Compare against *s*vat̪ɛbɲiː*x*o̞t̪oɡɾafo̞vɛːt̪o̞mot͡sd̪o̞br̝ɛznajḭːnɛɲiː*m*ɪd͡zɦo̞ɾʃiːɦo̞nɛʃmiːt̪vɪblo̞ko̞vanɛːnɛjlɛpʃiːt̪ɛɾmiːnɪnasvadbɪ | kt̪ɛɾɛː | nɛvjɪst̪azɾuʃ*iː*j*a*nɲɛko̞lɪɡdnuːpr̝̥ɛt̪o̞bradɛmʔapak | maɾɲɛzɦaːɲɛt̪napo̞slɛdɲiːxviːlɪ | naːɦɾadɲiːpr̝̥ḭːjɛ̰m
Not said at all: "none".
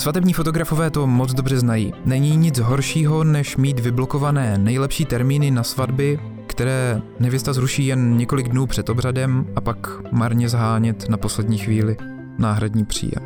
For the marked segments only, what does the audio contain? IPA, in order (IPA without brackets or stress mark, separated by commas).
s, f, ɲ, iː, ɛ